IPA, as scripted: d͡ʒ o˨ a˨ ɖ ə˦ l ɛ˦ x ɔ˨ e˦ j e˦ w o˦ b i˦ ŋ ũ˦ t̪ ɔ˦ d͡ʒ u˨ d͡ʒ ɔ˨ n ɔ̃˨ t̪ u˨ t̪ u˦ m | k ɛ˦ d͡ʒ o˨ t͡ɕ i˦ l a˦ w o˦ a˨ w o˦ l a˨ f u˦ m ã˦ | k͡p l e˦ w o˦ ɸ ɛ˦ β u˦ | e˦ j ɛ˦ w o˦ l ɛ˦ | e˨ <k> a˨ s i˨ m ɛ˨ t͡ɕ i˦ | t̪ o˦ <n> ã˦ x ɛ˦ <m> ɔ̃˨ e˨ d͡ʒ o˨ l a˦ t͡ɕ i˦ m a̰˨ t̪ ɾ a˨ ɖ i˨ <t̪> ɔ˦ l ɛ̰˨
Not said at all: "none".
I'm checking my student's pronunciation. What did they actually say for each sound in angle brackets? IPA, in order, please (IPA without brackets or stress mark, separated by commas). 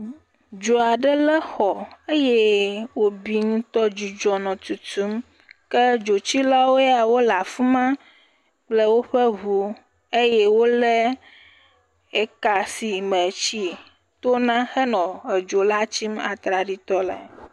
k, n, n, t̪